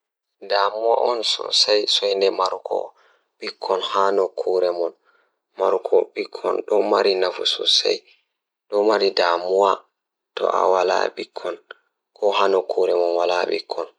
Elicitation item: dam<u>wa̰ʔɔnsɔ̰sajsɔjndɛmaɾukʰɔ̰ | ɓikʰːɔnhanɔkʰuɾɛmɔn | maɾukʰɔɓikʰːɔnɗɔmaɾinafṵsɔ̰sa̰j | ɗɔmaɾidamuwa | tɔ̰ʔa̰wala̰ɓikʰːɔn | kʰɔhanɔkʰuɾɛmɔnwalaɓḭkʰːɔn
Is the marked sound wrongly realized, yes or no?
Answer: no